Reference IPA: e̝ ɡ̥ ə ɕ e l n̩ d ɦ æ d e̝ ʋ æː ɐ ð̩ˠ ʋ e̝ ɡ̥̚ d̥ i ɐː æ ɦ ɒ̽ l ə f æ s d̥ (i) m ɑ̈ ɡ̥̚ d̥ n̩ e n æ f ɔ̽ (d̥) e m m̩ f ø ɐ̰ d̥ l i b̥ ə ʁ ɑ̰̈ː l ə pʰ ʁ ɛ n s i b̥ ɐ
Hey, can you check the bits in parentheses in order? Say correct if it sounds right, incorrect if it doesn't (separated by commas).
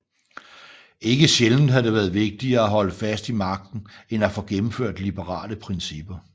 correct, incorrect